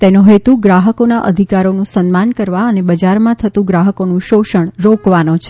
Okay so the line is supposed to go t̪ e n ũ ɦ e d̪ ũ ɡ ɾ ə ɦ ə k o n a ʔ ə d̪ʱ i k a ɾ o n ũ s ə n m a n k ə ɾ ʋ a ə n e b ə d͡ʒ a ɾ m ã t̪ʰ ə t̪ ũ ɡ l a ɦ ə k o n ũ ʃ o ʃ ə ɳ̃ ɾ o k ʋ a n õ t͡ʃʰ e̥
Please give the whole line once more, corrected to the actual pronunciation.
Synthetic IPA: t̪ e n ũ ɦ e t̪ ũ ɡ ɾ a ɦ ə k o n a ʔ ə d̪ʱ i k a ɾ o n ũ s ə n m a n k ə ɾ ʋ a ə n e b ə d͡ʒ a ɾ m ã t̪ʰ ə t̪ ũ ɡ ɾ a ɦ ə k o n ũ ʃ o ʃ ə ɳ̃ ɾ o k ʋ a n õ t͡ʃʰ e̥

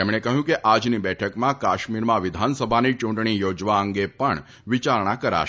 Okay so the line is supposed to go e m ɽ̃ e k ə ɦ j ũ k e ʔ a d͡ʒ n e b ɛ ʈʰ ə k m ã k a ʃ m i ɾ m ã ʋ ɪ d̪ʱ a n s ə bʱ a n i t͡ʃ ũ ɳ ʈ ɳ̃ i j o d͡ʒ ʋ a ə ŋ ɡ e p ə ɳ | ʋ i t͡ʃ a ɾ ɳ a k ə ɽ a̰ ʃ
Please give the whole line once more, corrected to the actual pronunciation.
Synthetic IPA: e m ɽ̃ e k ə ɦ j ũ k e ʔ a d͡ʒ n i b ɛ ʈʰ ə k m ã k a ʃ m i ɾ m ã ʋ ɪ d̪ʱ a n s ə bʱ a n i t͡ʃ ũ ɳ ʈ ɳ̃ i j o d͡ʒ ʋ a ə ŋ ɡ e p ə ɳ | ʋ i t͡ʃ a ɾ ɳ a k ə ɾ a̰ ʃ

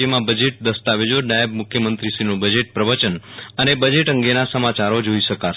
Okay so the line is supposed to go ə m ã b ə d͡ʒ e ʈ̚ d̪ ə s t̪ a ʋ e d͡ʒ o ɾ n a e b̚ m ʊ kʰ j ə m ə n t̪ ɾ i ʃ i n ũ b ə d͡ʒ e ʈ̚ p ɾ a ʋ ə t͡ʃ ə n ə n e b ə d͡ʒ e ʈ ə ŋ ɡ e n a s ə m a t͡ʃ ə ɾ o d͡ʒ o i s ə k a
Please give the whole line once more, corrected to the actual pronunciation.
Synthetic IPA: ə m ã b ə d͡ʒ e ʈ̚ d̪ ə s t̪ a ʋ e d͡ʒ o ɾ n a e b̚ m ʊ kʰ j ə m ə n t̪ ɾ i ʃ i n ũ b ə d͡ʒ e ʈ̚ p ɾ ə ʋ ə t͡ʃ ə n ə n e b ə d͡ʒ e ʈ ə ŋ ɡ e n a s ə m a t͡ʃ a ɾ o d͡ʒ o i ʃ ə k a

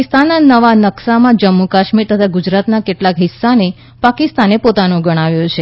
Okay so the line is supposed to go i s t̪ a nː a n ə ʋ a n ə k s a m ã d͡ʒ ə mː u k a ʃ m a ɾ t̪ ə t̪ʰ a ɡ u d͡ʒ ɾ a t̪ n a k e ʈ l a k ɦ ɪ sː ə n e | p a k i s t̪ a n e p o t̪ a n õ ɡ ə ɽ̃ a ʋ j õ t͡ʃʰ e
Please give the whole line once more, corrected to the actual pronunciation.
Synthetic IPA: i s t̪ a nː a n ə ʋ a n ə k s a m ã d͡ʒ ə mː u k a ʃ m i ɾ t̪ ə t̪ʰ a ɡ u d͡ʒ ɾ a t̪ n a k e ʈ l a k ɦ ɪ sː a n e | p a k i s t̪ a n e p o t̪ a n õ ɡ ə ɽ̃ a ʋ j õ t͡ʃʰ e

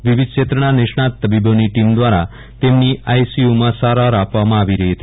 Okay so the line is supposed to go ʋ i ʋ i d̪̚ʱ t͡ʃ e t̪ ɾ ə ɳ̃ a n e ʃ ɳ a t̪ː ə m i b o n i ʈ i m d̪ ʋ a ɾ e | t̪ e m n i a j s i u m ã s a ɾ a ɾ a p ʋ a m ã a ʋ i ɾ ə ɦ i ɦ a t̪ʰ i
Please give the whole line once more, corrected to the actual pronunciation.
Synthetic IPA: ʋ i ʋ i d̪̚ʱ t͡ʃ e t̪ ɾ ə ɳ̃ a n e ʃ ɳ a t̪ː ə b i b o n i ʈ i m d̪ ʋ a ɾ a | t̪ e m n i a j s i u m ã s a ɾ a ɾ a p ʋ a m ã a ʋ i ɾ ə ɦ i ɦ ə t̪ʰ i

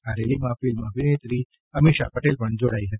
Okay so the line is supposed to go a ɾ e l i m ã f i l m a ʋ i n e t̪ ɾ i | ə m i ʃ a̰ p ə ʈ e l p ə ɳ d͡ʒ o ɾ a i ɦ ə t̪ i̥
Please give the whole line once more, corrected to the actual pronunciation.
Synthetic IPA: a ɾ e l i m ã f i l m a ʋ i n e t̪ ɾ i | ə m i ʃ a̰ p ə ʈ e l p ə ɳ d͡ʒ o ɽ a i ɦ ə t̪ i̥

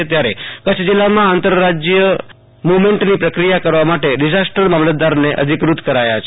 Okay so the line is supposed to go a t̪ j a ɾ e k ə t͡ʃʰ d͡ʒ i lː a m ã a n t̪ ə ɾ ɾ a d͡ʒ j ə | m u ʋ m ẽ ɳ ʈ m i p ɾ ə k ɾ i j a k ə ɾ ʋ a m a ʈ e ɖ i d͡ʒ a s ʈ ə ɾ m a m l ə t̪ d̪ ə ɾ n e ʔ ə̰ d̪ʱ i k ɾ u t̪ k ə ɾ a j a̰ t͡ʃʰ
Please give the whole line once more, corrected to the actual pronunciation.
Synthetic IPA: e t̪ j a ɾ e k ə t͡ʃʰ d͡ʒ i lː a m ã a n t̪ ə ɾ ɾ a d͡ʒ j ə | m u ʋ m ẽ ɳ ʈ n i p ɾ ə k ɾ i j a k ə ɾ ʋ a m a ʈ e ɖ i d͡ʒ a s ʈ ə ɾ m a m l ə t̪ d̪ a ɾ n e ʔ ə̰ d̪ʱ i k ɾ u t̪ k ə ɾ a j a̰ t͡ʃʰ

